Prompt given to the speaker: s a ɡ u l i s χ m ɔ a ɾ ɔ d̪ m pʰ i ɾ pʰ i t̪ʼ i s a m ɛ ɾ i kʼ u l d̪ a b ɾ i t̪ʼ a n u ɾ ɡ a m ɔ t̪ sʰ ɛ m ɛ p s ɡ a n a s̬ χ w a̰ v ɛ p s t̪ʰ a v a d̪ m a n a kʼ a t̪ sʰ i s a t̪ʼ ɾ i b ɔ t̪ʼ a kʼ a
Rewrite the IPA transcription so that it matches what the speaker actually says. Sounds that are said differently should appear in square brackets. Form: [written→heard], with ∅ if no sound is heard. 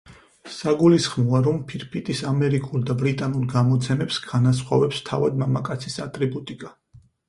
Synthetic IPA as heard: s a ɡ u l i s χ m ɔ a ɾ ɔ [d̪→∅] m pʰ i ɾ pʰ i t̪ʼ i s a m ɛ ɾ i kʼ u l d̪ a b ɾ i t̪ʼ a n u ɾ ɡ a m ɔ t̪ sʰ ɛ m ɛ p s ɡ a n a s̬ χ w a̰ v ɛ p s t̪ʰ a v a d̪ m a [n→m] a kʼ a t̪ sʰ i s a t̪ʼ ɾ i b [ɔ→u] t̪ʼ [a→i] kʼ a